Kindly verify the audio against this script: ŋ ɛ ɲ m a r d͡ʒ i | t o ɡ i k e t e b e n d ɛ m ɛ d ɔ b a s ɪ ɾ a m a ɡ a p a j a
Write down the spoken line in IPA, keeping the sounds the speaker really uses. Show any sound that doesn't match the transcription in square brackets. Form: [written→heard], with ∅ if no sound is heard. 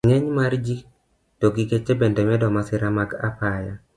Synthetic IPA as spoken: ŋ ɛ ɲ m a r d͡ʒ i | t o ɡ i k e [t→t͡ʃ] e b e n d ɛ m ɛ d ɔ [b→m] a s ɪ ɾ a m a ɡ a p a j a